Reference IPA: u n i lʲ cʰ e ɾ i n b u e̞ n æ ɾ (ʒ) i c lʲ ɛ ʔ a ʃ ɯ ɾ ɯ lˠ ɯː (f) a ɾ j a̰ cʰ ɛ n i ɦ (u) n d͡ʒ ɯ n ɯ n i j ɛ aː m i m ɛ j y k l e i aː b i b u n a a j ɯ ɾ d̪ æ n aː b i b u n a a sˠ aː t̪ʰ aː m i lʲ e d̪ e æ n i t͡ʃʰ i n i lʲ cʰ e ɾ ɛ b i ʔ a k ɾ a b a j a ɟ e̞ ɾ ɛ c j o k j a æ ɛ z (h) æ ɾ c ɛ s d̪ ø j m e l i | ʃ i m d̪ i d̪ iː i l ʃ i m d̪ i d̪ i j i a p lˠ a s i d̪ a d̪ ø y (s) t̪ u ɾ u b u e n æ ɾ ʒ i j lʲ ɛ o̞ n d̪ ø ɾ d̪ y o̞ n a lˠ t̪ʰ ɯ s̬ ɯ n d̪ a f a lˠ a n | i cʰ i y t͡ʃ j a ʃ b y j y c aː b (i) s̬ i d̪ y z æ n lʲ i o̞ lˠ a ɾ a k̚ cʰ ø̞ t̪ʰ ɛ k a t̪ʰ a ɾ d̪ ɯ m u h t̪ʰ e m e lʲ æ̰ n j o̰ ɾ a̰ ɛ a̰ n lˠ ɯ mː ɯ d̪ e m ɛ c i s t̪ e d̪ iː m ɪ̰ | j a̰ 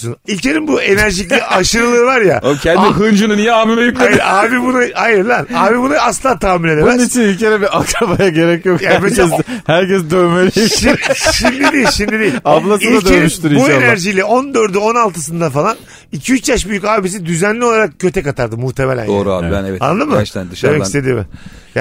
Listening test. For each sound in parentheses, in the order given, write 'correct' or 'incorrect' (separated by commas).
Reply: correct, incorrect, incorrect, correct, incorrect, correct